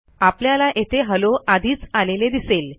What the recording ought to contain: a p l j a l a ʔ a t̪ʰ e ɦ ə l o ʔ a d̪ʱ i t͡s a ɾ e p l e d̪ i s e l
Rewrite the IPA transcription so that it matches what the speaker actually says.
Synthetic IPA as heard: a p l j a l a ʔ e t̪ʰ e ɦ ə l o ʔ a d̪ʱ iː t͡s a l e l e d̪ i s e l